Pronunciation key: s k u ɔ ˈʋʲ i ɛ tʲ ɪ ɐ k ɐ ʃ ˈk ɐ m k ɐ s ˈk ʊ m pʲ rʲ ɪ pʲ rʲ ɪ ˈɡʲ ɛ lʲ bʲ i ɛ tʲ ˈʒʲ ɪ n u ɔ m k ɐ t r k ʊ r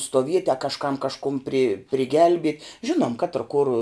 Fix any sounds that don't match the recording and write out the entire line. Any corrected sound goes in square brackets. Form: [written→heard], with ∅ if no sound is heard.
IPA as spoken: s [k→t] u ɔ ˈʋʲ i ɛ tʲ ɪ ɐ k ɐ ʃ ˈk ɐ m k ɐ [s→ʃ] ˈk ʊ m pʲ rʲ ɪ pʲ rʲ ɪ ˈɡʲ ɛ lʲ bʲ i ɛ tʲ ˈʒʲ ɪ n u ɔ m k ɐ t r k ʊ r